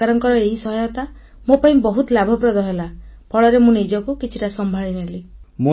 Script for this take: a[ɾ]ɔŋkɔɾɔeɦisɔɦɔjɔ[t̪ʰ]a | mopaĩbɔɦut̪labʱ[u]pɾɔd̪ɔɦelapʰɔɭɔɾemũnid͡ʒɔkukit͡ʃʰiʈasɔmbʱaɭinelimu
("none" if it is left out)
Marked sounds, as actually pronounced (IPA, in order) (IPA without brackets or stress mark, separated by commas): ɾ, t̪, ɔ